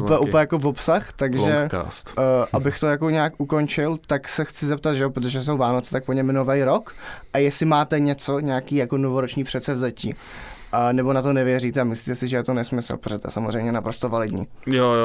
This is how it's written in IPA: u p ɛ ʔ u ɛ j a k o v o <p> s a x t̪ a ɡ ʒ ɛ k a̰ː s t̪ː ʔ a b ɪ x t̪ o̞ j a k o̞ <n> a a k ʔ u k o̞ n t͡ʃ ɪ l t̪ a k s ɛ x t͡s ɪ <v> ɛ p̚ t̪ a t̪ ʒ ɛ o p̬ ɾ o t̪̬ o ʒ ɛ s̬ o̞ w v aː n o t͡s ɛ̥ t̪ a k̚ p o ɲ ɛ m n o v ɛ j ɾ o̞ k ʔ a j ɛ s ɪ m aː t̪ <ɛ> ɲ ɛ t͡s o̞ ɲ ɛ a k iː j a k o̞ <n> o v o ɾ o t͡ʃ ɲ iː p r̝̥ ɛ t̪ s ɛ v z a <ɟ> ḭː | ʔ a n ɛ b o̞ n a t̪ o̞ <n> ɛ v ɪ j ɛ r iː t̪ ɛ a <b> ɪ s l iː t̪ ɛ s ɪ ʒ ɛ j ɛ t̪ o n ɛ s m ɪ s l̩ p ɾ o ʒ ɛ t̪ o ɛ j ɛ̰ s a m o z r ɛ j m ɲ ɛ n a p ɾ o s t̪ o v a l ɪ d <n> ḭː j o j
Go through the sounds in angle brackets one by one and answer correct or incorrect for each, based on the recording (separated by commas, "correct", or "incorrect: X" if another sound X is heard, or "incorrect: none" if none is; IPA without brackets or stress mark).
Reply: correct, incorrect: ɲ, incorrect: z, correct, correct, incorrect: c, correct, incorrect: m, incorrect: ɲ